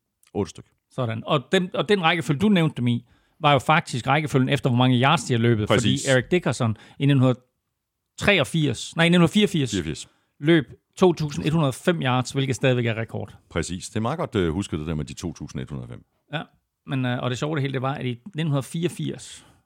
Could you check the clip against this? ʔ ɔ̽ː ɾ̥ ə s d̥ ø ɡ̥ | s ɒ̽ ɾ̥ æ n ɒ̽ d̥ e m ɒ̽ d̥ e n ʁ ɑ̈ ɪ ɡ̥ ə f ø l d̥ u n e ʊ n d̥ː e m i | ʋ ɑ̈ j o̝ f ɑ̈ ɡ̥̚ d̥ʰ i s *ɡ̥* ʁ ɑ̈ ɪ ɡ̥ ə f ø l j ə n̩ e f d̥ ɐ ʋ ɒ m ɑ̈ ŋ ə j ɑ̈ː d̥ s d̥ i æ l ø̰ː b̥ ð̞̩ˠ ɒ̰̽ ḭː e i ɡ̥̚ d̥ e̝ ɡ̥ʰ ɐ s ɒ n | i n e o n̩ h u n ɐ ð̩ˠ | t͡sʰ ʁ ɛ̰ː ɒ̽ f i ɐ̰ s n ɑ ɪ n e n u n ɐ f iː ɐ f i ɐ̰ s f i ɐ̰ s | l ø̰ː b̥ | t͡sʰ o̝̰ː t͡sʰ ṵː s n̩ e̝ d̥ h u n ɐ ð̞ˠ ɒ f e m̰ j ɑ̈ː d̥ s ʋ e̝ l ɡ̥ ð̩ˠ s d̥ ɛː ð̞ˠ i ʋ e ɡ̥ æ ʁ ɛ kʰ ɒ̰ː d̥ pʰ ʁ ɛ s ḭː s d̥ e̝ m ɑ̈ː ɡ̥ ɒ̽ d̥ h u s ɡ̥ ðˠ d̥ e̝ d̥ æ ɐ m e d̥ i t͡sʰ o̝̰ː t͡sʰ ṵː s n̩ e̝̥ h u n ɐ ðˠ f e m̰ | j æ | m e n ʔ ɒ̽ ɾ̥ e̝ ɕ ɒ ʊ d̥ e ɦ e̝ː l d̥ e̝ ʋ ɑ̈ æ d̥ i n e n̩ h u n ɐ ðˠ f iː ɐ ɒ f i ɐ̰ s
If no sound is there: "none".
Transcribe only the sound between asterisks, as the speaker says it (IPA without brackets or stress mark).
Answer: ɡ̥